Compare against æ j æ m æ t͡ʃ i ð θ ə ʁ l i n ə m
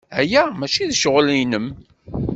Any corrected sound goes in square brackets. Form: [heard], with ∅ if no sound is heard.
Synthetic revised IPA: æ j æ m æ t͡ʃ i ð [ʃ] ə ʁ l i n ə m